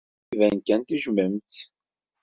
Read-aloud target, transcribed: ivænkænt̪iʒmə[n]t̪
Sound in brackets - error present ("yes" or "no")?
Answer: yes